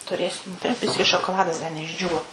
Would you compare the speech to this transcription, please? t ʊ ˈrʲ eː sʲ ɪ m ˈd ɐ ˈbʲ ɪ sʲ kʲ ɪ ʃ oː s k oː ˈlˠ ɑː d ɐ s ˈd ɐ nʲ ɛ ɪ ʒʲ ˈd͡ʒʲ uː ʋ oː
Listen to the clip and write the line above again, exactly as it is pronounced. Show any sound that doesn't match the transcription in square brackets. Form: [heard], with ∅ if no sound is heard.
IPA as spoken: t ʊ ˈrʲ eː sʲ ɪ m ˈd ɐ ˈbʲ ɪ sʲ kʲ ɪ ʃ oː [∅] k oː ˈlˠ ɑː d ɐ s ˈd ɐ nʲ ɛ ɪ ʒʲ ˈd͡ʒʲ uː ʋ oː